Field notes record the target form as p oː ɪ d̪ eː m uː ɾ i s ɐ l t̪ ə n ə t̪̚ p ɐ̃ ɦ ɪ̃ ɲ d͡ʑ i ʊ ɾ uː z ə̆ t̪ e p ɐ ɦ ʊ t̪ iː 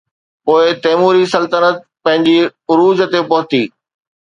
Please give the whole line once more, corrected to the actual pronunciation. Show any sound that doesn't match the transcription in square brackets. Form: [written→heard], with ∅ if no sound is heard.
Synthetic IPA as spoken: p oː ɪ [d̪→t̪] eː m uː ɾ i s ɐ l t̪ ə n ə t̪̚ p ɐ̃ ɦ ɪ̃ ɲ d͡ʑ i ʊ ɾ uː z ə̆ t̪ e p ɐ ɦ ʊ t̪ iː